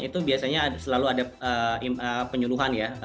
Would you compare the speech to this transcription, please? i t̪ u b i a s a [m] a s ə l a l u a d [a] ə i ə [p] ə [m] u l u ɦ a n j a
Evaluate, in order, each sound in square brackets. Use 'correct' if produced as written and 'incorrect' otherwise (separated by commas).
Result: incorrect, correct, correct, incorrect